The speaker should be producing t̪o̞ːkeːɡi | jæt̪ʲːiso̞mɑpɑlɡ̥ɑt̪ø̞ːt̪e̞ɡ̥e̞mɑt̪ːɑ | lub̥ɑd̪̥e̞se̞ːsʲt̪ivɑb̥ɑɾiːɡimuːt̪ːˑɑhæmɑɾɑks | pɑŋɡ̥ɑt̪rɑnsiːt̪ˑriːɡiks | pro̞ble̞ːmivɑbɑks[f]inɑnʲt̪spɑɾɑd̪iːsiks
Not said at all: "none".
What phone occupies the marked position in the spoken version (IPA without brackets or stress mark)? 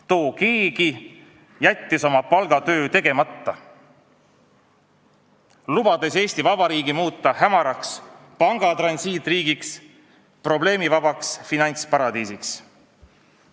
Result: f